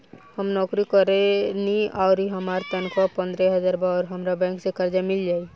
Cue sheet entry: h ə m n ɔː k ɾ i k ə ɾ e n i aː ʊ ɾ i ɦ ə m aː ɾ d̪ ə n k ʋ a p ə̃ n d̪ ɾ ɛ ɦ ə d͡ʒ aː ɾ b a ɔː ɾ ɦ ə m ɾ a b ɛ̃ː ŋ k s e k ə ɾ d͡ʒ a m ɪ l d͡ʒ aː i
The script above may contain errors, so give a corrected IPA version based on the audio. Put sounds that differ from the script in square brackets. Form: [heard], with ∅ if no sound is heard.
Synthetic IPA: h ə m n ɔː k ɾ i k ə ɾ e n i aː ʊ ɾ i ɦ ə m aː ɾ [t̪] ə n k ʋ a p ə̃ n d̪ ɾ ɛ ɦ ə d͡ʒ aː ɾ b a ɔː ɾ ɦ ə m ɾ a b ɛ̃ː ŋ k s e k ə ɾ d͡ʒ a m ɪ l d͡ʒ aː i